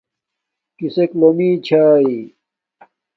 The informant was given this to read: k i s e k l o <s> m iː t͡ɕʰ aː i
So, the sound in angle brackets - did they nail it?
no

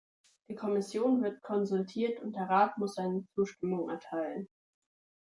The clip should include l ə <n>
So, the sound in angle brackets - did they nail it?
yes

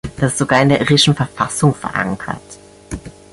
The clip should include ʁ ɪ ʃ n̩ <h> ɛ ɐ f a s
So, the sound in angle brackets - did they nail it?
no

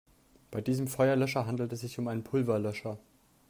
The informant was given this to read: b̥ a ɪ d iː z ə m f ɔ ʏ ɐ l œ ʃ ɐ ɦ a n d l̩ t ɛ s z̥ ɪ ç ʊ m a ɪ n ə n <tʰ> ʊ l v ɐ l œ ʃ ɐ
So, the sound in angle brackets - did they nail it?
no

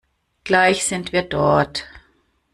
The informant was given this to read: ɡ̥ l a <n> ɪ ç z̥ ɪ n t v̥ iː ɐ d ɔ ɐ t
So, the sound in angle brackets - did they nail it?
no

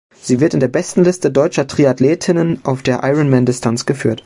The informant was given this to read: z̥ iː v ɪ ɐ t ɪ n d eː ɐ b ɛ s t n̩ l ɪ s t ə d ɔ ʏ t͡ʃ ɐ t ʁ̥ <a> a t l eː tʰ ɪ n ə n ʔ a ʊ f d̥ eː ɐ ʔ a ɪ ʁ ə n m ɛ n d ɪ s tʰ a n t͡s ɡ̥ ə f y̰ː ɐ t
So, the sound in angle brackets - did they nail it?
no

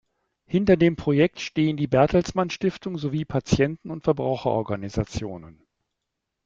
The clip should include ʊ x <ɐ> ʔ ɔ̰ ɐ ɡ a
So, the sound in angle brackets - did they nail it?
yes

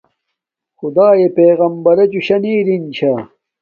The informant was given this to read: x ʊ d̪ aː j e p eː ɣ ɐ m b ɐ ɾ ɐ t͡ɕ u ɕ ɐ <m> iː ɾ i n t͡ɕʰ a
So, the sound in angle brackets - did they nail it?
no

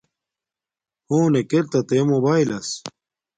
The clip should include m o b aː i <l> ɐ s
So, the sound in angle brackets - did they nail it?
yes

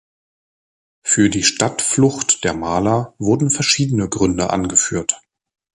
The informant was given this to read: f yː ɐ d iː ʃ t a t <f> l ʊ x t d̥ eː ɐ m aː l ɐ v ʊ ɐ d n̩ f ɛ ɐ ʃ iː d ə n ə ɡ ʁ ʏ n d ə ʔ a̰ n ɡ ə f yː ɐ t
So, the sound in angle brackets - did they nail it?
yes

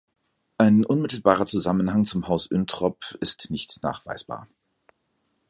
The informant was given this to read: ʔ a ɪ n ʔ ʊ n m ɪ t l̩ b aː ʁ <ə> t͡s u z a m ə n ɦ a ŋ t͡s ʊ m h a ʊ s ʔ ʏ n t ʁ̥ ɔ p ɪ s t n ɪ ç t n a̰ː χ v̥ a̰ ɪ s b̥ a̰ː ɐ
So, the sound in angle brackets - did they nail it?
no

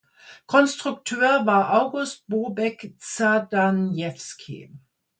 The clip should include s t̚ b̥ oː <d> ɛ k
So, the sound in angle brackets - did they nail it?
no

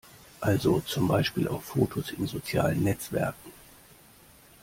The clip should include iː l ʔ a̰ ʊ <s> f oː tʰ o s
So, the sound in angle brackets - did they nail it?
no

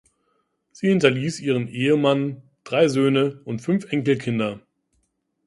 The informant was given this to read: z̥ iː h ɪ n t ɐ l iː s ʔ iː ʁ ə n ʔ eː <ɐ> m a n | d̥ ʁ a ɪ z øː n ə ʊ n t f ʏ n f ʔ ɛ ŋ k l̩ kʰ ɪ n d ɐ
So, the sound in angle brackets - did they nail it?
no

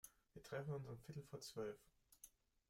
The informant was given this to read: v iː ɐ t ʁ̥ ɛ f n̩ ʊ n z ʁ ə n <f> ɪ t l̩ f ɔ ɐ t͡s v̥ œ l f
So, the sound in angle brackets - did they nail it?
yes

